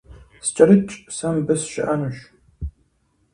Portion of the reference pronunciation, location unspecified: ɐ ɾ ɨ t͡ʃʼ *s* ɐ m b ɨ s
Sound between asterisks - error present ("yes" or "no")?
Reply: no